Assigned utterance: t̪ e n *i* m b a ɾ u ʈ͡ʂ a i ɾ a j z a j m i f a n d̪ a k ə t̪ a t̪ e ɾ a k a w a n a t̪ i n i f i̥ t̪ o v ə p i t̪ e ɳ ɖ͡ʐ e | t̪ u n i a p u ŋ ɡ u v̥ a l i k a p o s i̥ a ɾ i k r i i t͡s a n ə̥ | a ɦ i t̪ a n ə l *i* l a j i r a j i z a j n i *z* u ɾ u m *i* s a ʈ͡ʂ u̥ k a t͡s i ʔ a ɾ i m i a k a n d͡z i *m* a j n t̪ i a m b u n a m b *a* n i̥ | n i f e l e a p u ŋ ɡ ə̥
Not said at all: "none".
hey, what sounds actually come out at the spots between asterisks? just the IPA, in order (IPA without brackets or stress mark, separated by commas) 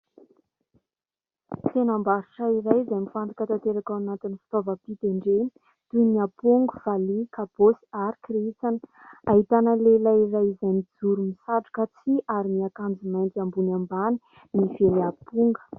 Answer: a, e, d͡z, i, m, a